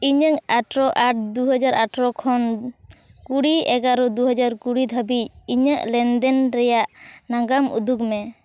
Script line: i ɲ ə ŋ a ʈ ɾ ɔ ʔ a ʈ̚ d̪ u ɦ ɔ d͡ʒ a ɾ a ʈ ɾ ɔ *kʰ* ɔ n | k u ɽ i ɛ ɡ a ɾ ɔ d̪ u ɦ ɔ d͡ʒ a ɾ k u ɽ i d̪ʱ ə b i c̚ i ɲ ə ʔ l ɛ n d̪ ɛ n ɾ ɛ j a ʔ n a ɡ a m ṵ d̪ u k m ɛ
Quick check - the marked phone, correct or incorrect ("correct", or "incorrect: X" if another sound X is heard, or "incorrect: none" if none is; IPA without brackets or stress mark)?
correct